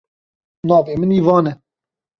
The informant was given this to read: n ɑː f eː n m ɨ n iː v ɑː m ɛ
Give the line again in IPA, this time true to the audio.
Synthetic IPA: n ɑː v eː m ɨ n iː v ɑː n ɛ